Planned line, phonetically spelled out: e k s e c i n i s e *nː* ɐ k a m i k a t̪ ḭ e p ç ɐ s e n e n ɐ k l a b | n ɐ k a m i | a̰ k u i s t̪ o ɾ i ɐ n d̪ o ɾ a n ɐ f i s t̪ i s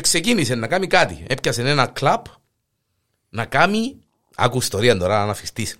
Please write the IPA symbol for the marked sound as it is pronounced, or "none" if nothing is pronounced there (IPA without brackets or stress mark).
nː